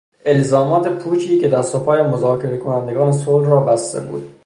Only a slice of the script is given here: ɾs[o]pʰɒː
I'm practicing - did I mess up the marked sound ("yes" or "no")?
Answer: no